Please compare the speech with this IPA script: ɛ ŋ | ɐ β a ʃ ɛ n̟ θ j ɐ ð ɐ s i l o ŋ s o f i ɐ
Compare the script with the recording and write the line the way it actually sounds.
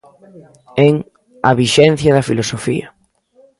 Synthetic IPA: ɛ ŋ | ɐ β i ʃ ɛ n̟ θ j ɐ ð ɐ f i l o s o f i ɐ